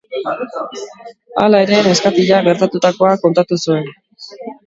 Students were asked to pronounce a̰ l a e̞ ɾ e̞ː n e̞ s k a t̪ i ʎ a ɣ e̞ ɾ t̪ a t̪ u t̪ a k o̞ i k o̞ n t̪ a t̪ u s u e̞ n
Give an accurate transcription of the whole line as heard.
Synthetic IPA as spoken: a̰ l a e̞ ɾ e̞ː n e̞ s k a t̪ i ʎ a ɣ e̞ ɾ t̪ a t̪ u t̪ a k o̞ a k o̞ n t̪ a t̪ u s u e̞ n